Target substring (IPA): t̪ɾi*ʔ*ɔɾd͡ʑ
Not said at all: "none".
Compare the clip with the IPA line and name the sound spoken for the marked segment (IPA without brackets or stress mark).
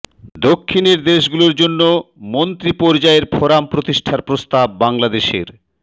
p